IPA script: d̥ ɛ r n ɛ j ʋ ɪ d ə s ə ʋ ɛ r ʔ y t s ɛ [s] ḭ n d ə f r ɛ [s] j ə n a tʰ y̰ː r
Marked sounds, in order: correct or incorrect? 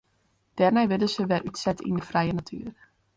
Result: incorrect, incorrect

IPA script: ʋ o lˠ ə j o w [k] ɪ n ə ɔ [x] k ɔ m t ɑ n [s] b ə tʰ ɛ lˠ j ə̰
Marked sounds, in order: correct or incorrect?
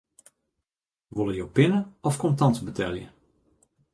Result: incorrect, incorrect, incorrect

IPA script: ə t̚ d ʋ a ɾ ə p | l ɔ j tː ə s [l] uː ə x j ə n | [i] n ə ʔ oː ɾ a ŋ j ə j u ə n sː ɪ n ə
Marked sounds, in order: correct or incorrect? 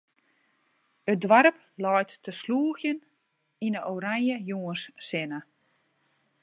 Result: correct, correct

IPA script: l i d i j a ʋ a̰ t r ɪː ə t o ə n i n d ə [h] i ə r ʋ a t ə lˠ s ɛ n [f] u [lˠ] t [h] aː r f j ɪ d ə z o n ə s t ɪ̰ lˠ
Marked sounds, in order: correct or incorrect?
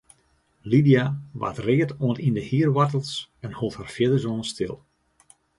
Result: correct, incorrect, correct, correct

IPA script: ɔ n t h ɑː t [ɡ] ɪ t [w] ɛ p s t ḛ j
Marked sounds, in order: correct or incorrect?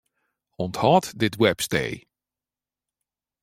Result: incorrect, correct

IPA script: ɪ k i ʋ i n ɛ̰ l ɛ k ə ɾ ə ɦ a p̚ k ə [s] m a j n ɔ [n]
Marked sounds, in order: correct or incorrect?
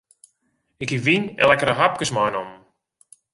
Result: correct, incorrect

